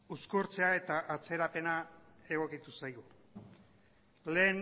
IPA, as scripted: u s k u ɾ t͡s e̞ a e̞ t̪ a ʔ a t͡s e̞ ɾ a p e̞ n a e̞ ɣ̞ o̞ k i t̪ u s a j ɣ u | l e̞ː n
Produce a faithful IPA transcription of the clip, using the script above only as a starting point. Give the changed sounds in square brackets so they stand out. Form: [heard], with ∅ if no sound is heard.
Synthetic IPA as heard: u s k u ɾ t͡s e̞ a e̞ t̪ a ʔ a t͡s e̞ ɾ a p e̞ n a e̞ ɣ̞ o̞ k i t̪ u s a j ɣ u | l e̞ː n